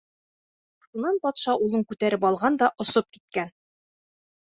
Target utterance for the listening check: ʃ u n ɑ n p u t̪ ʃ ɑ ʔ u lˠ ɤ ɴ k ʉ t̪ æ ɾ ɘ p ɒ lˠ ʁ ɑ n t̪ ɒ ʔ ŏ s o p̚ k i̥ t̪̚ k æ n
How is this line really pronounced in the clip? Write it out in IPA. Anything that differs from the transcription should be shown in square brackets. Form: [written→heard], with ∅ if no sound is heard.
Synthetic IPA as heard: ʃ u n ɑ n p [u→ɒ] t̪ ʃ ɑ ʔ u lˠ ɤ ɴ k ʉ t̪ æ ɾ ɘ p ɒ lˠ ʁ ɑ n [t̪→d̪] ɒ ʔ ŏ s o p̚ k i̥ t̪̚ k æ n